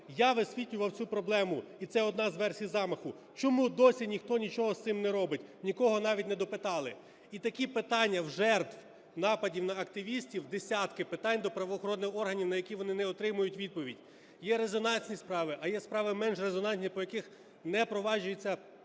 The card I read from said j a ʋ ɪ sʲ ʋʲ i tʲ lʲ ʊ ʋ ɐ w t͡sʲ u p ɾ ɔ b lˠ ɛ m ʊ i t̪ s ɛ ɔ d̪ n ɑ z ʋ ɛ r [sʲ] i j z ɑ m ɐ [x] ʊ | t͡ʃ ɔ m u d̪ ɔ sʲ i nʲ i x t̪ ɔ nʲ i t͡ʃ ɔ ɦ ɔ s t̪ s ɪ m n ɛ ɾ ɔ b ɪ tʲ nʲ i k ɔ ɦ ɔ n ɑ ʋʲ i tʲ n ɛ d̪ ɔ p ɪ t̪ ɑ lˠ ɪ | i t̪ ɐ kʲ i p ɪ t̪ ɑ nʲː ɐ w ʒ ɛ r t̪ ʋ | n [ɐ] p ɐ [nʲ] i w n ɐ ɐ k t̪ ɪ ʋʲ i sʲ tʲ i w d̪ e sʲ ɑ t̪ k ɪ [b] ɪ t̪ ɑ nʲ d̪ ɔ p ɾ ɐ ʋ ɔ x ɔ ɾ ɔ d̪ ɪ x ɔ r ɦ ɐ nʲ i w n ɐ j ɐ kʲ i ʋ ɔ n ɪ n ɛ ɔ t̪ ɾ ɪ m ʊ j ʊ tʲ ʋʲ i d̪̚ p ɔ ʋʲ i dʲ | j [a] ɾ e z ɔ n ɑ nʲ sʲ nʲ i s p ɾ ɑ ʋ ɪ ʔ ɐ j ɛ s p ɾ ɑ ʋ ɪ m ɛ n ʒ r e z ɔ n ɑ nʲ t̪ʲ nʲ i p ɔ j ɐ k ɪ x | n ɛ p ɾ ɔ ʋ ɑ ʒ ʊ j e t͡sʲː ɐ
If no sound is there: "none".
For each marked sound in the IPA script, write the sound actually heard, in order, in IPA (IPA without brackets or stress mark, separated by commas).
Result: sʲ, x, ɑ, dʲ, p, ɛ